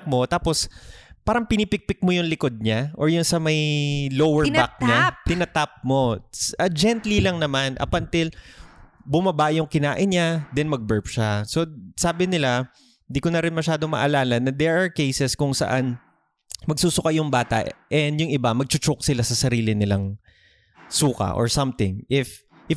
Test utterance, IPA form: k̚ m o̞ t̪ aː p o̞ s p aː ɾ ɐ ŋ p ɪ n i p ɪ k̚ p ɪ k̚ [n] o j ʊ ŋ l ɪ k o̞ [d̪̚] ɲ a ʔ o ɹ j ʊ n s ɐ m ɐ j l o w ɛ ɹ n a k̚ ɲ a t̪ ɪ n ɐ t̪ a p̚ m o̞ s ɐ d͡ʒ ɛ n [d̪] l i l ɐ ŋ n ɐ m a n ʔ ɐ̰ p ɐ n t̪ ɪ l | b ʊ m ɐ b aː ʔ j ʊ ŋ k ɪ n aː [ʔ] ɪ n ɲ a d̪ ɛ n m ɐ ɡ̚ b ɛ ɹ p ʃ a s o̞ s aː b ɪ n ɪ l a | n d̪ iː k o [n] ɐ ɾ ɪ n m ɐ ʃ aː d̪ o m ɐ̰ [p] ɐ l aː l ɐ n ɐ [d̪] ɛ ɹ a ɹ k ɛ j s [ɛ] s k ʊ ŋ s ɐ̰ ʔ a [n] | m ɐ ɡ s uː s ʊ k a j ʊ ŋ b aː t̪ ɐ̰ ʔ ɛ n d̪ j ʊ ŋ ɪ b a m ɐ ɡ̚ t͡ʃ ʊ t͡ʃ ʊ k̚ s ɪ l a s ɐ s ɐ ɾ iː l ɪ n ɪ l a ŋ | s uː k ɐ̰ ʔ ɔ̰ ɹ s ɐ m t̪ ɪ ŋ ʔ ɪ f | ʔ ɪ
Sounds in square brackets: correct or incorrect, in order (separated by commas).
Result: incorrect, correct, incorrect, correct, correct, incorrect, correct, correct, correct